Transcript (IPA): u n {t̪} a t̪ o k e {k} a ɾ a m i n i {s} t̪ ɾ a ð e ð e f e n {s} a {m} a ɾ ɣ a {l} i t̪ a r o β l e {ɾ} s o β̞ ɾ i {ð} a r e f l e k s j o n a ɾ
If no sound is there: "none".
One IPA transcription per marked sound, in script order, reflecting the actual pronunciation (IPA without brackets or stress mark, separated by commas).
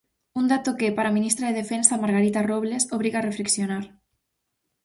d̪, p, s, s, m, ɾ, none, ɣ